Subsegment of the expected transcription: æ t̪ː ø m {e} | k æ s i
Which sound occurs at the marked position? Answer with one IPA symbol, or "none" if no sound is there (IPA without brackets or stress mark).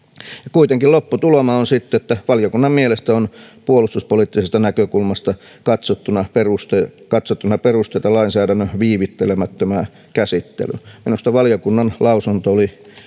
æ